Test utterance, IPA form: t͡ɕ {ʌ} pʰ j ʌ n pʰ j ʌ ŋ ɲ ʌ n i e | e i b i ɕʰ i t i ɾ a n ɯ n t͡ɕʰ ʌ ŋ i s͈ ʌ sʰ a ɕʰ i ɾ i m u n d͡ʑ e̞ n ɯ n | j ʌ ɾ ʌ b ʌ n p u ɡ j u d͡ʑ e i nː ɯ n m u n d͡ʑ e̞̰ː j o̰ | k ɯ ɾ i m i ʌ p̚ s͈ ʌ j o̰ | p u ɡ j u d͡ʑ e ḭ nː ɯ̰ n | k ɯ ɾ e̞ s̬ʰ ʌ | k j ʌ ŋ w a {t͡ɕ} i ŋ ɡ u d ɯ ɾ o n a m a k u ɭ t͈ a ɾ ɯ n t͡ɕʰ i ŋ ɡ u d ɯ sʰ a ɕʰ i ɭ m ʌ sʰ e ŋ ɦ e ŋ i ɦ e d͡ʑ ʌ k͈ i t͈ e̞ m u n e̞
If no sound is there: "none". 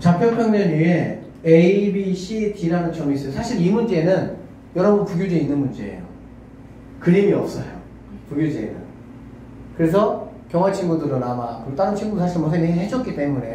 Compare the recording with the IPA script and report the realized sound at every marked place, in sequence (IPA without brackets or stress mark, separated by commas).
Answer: a, t͡ɕʰ